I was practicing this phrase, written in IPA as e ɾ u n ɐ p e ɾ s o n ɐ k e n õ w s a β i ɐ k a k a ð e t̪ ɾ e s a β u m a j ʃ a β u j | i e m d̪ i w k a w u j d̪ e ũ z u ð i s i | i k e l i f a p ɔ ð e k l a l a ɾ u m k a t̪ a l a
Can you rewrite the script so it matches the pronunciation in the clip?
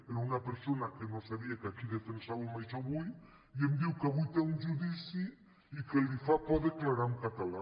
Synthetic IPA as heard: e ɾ u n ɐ p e ɾ s o n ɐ k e n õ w s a β i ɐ k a k i ð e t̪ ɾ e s a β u m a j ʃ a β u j | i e m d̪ i w k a β u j t̪ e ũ ʒ u ð i s i | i k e l i f a p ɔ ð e k l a ɾ a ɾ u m k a t̪ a l a